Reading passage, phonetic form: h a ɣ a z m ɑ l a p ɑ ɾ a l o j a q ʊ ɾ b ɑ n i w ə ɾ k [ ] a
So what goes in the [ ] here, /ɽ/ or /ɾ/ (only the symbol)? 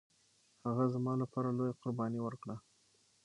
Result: ɽ